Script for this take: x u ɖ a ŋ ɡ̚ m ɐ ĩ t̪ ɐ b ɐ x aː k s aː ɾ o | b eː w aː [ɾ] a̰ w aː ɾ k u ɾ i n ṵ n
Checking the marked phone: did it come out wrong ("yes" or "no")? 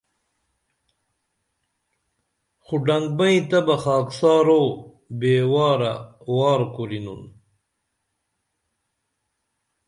no